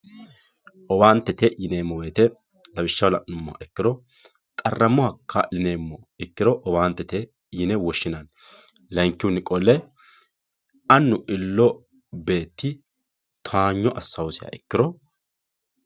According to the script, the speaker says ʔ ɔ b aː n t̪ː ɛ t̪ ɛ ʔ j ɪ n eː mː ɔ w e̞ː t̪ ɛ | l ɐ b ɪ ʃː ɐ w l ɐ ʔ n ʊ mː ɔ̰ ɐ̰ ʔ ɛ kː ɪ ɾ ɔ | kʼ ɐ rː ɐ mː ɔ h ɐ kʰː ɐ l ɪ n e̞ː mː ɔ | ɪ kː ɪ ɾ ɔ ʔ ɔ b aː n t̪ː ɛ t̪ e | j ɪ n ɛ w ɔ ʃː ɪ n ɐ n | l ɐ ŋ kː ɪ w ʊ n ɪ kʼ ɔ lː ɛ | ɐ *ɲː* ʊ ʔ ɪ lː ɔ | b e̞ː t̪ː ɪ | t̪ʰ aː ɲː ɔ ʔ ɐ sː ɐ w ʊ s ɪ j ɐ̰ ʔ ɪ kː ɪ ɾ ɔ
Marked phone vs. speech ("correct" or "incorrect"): incorrect